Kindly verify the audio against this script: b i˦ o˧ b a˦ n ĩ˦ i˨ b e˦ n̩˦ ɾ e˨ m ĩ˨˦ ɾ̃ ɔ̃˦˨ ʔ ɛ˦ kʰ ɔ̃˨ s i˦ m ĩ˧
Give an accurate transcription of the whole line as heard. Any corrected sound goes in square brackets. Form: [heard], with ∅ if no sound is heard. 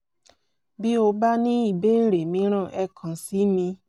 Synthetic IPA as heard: b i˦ o˧ b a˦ n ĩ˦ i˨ b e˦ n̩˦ ɾ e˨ m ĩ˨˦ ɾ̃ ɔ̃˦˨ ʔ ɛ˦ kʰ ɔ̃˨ s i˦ m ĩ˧